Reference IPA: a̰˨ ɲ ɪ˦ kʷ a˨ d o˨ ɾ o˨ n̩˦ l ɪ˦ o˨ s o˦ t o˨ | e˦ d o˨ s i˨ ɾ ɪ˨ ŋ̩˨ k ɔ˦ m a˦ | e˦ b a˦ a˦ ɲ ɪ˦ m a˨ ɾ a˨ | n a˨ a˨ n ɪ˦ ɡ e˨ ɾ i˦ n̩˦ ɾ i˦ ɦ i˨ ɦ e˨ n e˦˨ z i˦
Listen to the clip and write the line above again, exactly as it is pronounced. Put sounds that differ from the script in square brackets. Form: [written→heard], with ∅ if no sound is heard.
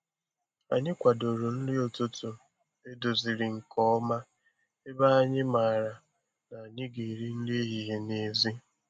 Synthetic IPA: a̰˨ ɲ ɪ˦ kʷ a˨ d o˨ ɾ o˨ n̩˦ l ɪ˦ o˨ [s→t] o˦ t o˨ | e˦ d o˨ [s→z] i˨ ɾ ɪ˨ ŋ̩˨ k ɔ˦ m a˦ | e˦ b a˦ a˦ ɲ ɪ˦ m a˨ ɾ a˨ | n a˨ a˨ [n→ɲ] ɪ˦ ɡ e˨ ɾ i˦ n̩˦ [ɾ→l] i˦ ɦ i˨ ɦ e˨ n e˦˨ z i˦